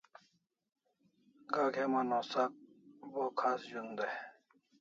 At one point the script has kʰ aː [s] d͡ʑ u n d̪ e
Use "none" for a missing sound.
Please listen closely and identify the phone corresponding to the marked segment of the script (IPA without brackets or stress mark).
s